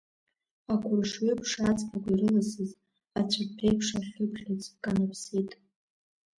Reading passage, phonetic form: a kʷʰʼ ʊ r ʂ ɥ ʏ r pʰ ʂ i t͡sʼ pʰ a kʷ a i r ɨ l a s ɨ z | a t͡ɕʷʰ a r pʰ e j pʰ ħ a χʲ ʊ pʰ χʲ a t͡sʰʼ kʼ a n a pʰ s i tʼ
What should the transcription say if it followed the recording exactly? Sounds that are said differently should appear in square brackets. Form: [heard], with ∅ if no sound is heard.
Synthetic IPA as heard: a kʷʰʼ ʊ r ʂ ɥ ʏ [∅] pʰ ʂ [a] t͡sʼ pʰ a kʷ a i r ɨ l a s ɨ z | a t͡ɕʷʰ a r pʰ e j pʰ [ʂ] a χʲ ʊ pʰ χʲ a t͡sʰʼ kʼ a n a pʰ s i tʼ